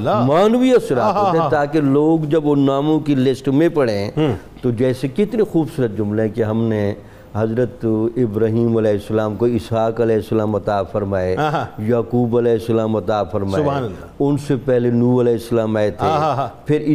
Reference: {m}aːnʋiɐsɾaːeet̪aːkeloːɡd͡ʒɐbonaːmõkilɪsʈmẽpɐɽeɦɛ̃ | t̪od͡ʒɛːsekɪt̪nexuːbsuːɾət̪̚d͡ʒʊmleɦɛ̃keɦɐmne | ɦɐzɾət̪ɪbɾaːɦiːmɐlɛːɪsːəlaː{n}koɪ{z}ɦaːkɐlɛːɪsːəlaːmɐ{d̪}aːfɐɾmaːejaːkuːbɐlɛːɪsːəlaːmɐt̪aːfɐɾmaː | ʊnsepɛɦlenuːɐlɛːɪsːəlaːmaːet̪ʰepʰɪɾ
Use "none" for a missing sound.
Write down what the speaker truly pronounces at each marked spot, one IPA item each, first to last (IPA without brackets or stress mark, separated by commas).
m, m, s, t̪